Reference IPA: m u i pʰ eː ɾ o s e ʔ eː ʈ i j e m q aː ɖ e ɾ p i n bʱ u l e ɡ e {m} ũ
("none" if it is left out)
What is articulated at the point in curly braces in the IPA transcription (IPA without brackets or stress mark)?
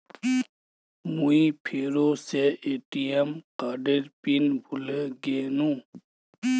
n